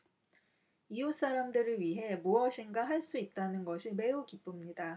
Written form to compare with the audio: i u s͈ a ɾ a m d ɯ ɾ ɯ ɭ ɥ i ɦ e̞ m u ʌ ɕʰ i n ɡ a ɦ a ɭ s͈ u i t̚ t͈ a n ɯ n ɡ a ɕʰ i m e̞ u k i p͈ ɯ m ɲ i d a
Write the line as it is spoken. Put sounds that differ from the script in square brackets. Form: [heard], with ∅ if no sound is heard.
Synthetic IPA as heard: i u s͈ a ɾ a m d ɯ ɾ ɯ ɭ ɥ i ɦ e̞ m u ʌ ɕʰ i n ɡ a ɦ a ɭ s͈ u i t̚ t͈ a n ɯ n ɡ [ʌ] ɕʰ i m e̞ u k i p͈ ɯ m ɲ i d a